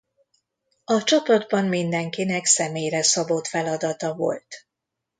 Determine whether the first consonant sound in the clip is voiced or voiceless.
voiceless